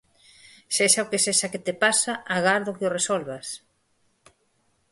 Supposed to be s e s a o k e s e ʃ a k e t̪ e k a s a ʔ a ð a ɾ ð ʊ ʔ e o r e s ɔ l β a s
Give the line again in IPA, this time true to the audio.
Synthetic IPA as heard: s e ʃ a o k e s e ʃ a k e t̪ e p a s a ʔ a ɣ a ɾ ð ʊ k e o r e s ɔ l β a s